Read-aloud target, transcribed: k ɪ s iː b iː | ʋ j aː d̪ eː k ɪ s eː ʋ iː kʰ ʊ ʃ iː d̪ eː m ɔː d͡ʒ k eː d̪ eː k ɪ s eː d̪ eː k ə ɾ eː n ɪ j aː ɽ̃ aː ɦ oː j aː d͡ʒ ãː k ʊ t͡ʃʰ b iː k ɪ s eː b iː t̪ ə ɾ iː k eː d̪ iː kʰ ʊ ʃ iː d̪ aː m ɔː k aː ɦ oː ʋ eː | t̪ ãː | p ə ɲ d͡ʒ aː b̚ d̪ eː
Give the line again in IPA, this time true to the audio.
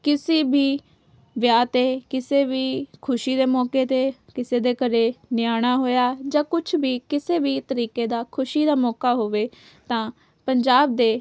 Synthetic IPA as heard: k ɪ s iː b iː | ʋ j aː t̪ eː k ɪ s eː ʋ iː kʰ ʊ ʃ iː d̪ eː m ɔː k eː t̪ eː k ɪ s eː d̪ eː k ə ɾ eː n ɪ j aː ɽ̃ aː ɦ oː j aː d͡ʒ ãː k ʊ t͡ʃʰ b iː k ɪ s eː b iː t̪ ə ɾ iː k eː d̪ aː kʰ ʊ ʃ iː d̪ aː m ɔː k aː ɦ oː ʋ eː | t̪ ãː | p ə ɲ d͡ʒ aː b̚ d̪ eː

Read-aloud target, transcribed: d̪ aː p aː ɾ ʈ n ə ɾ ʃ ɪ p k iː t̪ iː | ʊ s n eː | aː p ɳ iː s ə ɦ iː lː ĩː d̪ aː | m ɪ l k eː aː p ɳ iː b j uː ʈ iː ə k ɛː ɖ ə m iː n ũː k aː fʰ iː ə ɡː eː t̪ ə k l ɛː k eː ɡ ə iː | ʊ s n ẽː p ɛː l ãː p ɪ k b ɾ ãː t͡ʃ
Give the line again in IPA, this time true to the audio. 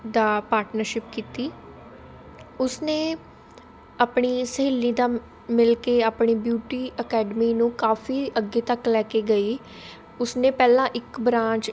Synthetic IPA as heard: d̪ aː p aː ɾ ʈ n ə ɾ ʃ ɪ p k iː t̪ iː | ʊ s n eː | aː p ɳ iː s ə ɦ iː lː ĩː d̪ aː | m ɪ l k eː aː p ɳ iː b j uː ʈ iː ə k ɛː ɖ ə m iː n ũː k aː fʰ iː ə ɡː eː t̪ ə k l ɛː k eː ɡ ə iː | ʊ s n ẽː p ɛː l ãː ʔ ɪ k b ɾ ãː t͡ʃ

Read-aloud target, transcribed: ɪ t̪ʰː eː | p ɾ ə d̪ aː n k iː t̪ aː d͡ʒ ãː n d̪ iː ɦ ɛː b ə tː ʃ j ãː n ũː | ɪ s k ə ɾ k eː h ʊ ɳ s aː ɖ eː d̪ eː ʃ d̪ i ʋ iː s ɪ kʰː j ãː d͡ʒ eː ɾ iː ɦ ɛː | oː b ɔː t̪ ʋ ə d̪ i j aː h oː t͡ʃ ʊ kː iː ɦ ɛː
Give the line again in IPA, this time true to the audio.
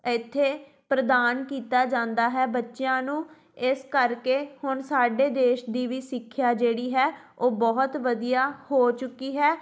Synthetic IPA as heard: ɪ t̪ʰː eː | p ɾ ə d̪ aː n k iː t̪ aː d͡ʒ ãː n d̪ aː ɦ ɛː b ə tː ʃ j ãː n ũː | ɪ s k ə ɾ k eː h ʊ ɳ s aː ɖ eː d̪ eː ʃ d̪ iː ʋ iː s ɪ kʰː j aː d͡ʒ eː ɽ iː ɦ ɛː | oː b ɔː t̪ ʋ ə d̪ i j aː h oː t͡ʃ ʊ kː iː ɦ ɛː

